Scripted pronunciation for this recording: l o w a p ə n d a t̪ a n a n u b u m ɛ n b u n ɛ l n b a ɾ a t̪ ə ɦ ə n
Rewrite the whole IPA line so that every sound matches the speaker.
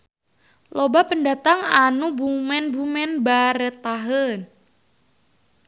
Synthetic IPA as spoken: l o b a p ə n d a t̪ a ŋ a n u b u m ɛ n b u m ɛ n b a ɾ ə t̪ a ɦ ə n